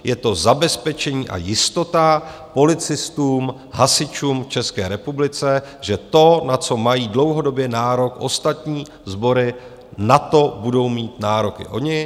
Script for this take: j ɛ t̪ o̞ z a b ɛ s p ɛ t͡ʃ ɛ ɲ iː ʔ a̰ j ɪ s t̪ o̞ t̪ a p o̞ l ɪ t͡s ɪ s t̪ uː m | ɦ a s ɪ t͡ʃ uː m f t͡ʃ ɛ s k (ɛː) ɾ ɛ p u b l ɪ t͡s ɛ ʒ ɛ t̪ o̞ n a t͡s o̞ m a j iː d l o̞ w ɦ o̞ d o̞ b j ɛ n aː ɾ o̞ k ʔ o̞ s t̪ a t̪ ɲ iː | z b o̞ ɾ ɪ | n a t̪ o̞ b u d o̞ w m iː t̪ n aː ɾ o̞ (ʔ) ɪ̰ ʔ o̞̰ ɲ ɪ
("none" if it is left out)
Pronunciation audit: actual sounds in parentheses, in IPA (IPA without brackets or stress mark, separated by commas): ɛː, k